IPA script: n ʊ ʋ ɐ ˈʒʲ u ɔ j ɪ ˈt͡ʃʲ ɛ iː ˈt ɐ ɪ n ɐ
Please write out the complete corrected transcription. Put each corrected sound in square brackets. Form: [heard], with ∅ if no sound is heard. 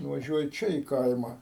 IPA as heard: n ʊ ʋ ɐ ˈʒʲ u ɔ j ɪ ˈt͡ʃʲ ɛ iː [ˈk] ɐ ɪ [m] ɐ